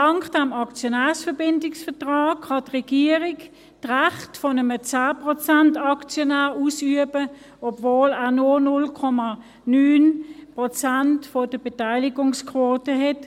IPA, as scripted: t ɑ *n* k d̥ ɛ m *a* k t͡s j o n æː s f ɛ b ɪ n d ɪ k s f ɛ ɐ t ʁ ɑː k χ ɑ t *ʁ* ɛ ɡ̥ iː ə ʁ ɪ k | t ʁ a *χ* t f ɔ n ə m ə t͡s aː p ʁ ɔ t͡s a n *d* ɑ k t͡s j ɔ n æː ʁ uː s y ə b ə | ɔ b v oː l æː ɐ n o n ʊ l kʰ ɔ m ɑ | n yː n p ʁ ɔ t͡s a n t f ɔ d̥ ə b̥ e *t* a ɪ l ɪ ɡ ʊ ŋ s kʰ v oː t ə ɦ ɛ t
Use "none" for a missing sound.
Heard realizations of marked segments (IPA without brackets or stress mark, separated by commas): ŋ, ɑ, ʁ, χ, t, t